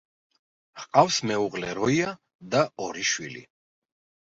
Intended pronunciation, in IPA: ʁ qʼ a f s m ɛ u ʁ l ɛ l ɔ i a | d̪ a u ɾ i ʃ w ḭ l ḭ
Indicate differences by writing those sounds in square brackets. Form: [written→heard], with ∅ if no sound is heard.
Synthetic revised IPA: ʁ qʼ a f s m ɛ u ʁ l ɛ [l→ɾ] ɔ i a | d̪ a [u→ɔ] ɾ i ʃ w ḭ l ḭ